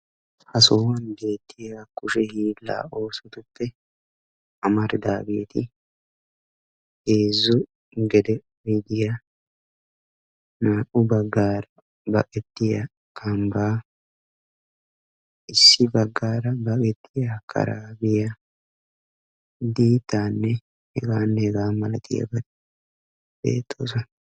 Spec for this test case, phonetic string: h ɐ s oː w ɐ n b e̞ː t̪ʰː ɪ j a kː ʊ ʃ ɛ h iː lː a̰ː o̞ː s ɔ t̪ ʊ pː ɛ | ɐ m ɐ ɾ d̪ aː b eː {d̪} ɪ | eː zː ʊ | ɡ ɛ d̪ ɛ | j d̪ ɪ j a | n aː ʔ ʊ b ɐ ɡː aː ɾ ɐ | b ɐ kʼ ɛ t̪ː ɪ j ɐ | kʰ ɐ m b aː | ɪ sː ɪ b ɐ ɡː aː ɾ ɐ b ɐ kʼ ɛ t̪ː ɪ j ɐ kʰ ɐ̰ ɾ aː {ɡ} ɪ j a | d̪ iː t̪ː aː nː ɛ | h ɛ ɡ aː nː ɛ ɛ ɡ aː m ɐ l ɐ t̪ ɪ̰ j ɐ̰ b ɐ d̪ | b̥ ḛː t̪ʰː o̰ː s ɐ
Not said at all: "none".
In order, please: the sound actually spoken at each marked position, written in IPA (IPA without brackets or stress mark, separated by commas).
t̪, b